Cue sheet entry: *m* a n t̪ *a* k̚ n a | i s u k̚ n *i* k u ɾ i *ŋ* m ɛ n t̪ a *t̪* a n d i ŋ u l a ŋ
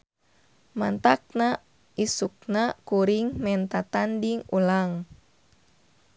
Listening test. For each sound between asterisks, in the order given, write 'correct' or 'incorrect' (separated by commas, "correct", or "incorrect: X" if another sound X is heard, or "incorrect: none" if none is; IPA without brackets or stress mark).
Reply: correct, correct, incorrect: a, correct, correct